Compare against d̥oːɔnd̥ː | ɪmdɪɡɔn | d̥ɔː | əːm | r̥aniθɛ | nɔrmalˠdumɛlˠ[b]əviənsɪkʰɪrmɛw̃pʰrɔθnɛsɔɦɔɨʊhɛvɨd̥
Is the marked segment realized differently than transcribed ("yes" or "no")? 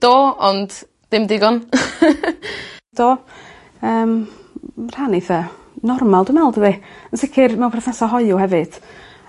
yes